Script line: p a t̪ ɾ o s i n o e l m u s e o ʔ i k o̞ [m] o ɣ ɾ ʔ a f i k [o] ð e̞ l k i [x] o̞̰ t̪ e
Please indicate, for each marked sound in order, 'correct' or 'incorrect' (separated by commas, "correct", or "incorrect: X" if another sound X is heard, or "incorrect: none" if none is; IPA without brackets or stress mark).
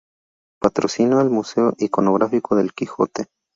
incorrect: n, correct, correct